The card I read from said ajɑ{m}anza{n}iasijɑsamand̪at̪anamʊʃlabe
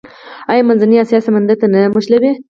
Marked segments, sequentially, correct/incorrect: correct, correct

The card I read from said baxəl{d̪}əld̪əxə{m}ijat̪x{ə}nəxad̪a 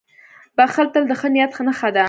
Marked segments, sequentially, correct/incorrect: incorrect: t̪, incorrect: n, correct

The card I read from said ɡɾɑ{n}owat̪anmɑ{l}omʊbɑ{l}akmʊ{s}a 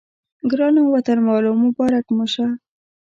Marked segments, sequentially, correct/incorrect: correct, correct, incorrect: ɾ, incorrect: ʃ

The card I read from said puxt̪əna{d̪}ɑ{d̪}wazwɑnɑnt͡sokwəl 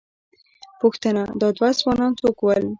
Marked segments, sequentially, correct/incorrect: correct, correct

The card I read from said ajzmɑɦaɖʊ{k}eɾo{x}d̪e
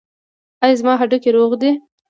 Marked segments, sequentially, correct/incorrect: correct, incorrect: ɣ

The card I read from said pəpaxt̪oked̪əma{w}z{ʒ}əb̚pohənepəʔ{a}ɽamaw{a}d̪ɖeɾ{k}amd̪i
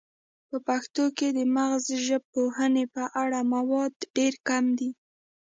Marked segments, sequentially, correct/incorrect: incorrect: ɣ, correct, correct, incorrect: ɑ, correct

